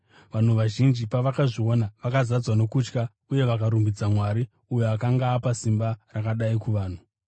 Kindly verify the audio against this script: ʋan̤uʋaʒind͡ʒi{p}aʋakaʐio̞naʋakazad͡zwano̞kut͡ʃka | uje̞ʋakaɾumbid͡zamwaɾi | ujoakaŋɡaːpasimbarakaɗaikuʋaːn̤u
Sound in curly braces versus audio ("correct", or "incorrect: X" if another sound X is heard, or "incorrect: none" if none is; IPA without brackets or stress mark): correct